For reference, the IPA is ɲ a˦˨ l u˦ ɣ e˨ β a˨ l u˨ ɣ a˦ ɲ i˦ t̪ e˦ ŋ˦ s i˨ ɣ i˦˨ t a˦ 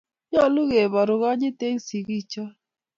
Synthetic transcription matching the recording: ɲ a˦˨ l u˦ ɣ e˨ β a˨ ɾ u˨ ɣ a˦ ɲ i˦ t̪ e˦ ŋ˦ s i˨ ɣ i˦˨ t͡ʃ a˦